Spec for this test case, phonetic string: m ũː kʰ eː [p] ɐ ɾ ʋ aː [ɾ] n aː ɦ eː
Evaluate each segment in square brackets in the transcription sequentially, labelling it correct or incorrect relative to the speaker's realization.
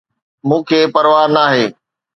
correct, correct

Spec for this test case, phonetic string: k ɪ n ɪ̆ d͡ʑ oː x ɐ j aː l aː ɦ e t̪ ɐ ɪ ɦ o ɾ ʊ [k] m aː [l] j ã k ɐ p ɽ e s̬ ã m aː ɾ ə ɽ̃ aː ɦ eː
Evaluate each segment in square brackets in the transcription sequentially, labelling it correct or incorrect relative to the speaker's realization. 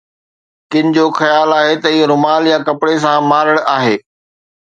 incorrect: none, correct

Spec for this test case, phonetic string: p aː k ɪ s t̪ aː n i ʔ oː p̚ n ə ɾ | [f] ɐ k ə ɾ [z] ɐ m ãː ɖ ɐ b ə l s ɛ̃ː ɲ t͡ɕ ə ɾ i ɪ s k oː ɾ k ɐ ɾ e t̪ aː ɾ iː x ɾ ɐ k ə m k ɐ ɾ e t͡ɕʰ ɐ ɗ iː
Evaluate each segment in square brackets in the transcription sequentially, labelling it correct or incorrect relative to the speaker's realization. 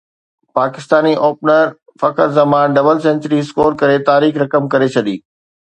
correct, correct

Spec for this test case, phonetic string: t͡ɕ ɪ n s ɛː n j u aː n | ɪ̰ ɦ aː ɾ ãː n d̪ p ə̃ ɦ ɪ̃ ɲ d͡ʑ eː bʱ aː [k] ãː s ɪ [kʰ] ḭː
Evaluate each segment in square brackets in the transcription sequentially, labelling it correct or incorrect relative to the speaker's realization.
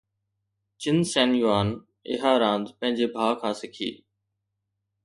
incorrect: kʰ, correct

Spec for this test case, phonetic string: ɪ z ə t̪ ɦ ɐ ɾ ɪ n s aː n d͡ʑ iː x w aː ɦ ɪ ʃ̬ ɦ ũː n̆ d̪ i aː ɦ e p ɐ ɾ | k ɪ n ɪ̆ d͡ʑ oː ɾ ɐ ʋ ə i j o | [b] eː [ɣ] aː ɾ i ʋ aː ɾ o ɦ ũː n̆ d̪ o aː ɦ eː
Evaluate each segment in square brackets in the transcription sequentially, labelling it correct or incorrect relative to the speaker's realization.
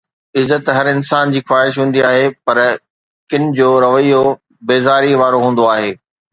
correct, incorrect: z

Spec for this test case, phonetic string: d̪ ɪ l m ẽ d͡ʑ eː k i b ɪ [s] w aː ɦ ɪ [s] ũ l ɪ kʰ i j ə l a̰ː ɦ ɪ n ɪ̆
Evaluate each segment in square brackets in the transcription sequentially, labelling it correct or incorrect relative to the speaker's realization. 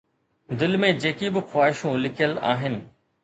incorrect: x, incorrect: ʃ

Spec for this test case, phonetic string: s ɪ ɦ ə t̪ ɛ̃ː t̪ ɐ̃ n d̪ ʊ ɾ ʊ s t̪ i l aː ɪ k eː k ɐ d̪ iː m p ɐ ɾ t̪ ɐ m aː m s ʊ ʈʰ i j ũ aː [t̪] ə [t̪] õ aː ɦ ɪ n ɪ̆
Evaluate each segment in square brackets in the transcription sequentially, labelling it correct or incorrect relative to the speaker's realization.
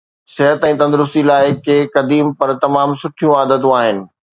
incorrect: d̪, correct

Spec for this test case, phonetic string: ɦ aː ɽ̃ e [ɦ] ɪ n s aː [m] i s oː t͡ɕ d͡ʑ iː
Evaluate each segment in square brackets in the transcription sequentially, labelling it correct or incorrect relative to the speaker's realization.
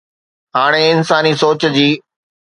incorrect: none, incorrect: n

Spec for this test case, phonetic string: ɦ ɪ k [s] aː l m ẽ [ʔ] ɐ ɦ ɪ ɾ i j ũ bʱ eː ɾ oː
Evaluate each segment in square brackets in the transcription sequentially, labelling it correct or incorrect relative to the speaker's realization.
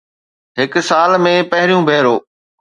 correct, incorrect: p

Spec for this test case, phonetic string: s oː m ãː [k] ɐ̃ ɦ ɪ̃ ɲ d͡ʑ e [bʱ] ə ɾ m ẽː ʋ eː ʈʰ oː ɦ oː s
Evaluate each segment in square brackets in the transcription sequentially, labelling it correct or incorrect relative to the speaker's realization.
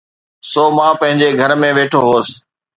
incorrect: p, incorrect: ɡʱ

